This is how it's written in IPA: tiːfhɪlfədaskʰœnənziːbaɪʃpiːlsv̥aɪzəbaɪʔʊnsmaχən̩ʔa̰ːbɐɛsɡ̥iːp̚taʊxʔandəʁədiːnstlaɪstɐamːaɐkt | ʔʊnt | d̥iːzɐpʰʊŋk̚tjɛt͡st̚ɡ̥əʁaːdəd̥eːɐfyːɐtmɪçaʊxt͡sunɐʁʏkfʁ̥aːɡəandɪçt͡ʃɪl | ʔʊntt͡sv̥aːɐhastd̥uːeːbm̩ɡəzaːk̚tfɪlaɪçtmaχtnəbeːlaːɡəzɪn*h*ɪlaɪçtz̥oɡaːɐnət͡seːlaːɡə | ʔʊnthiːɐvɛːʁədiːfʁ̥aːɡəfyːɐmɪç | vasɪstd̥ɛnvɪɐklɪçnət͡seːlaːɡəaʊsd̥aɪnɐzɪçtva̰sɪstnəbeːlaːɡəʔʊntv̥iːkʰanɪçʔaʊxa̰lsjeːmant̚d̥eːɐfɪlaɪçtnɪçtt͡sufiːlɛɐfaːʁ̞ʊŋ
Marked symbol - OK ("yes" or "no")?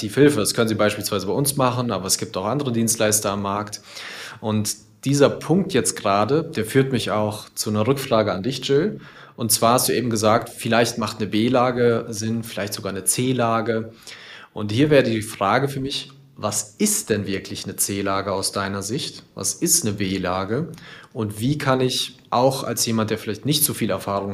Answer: no